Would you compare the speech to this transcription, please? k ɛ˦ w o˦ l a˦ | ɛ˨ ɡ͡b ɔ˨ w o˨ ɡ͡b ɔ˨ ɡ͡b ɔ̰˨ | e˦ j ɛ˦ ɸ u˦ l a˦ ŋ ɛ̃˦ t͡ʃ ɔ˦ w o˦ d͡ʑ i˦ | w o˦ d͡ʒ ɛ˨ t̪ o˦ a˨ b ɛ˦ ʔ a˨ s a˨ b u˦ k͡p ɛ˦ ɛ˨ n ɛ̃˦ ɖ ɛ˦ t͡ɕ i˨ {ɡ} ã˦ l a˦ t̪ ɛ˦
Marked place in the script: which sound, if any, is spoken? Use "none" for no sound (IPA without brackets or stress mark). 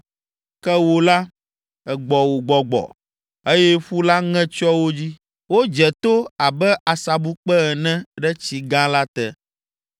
ɡ